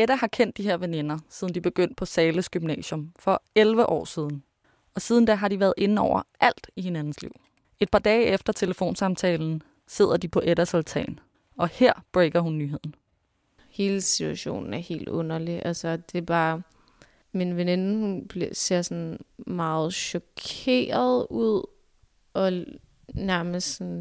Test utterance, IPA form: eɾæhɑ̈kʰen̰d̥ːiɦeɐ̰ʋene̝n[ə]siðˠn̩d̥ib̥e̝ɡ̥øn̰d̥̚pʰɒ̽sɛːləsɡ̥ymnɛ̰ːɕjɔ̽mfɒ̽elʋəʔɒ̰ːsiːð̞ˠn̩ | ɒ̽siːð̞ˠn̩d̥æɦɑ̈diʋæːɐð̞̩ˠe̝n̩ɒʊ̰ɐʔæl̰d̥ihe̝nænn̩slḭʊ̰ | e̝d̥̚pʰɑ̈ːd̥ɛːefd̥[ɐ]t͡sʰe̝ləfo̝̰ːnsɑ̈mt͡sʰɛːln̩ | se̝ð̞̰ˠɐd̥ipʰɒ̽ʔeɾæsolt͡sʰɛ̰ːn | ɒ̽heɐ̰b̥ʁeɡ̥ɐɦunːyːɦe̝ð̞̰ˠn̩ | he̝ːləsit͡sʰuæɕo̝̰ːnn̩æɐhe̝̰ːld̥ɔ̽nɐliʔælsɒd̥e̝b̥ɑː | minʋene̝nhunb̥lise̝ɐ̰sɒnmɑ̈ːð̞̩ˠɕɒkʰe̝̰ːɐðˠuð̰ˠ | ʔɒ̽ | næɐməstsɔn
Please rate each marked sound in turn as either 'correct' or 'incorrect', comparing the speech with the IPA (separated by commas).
incorrect, correct